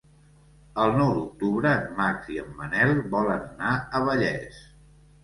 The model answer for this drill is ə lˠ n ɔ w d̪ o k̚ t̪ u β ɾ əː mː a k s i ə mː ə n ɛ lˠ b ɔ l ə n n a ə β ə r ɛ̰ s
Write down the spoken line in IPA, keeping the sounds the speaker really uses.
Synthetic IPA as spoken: ə lˠ n ɔ w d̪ u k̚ t̪ u β ɾ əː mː a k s i ə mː ə n ɛ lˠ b ɔ l ə n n a ə β ə ʎ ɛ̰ s